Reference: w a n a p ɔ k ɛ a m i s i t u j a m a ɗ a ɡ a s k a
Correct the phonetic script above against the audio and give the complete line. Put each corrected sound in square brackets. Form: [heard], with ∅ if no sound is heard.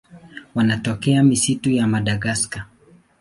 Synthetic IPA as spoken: w a n a [t] ɔ k ɛ a m i s i t u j a m a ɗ a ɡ a s k a